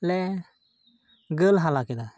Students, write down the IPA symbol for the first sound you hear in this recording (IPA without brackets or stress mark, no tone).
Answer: l